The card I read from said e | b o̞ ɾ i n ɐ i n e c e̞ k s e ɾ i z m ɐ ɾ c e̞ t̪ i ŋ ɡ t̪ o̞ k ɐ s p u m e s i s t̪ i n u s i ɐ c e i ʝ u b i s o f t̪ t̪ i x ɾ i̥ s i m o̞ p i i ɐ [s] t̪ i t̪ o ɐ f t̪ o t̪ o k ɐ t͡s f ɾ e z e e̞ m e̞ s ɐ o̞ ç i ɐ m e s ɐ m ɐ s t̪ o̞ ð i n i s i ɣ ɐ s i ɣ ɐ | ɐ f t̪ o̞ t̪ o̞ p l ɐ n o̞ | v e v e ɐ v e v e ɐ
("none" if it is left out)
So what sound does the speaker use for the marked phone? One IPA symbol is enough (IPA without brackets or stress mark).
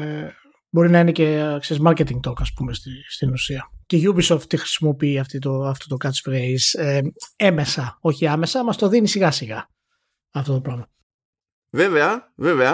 f